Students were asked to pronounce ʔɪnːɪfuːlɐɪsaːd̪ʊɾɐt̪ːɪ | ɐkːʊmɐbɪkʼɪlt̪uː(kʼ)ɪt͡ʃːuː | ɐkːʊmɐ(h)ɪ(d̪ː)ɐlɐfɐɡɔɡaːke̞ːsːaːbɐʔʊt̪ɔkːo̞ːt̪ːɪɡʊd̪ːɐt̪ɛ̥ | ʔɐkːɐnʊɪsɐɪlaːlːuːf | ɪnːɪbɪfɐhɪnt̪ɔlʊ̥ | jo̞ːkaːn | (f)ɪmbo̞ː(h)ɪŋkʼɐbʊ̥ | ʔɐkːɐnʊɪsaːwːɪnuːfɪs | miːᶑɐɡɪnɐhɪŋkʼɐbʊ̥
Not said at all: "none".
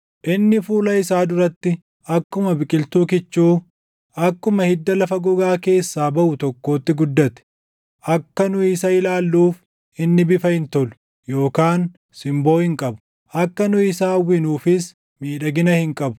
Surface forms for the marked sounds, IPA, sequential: k, h, d̪ː, s, h

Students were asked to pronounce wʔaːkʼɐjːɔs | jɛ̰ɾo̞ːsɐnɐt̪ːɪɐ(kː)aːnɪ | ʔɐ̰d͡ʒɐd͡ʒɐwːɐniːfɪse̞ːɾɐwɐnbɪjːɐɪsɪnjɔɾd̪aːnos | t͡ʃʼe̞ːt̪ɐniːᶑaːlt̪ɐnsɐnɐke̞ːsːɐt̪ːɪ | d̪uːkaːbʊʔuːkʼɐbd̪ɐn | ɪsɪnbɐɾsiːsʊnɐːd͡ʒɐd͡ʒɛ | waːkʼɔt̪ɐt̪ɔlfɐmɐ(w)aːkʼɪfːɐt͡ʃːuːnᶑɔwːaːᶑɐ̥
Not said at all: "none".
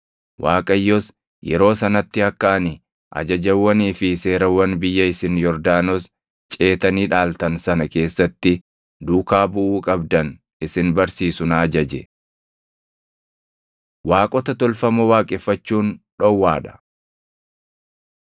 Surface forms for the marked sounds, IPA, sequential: kː, w

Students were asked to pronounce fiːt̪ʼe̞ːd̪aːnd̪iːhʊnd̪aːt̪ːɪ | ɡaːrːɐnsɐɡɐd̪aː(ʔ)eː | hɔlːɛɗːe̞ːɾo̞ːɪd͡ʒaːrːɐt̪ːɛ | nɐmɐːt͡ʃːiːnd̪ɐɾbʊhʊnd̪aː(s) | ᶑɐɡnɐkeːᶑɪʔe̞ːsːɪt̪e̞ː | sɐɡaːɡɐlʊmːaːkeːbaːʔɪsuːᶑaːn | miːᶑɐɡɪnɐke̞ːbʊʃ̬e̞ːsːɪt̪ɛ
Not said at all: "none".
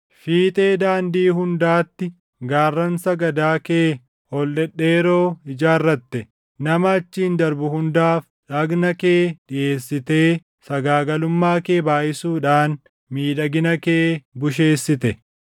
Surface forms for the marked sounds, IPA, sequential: k, f

